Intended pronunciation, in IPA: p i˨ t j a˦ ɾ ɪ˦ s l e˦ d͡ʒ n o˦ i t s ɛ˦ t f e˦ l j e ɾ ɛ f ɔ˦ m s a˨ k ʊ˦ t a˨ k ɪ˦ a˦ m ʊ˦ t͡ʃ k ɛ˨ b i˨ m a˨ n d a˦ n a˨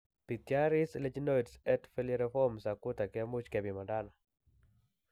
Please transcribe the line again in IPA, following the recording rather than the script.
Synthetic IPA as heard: p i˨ t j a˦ ɾ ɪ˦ s l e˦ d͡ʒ n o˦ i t s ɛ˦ t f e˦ l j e ɾ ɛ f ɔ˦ m s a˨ k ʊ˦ t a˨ k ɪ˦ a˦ m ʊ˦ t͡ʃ k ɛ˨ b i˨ m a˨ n d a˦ n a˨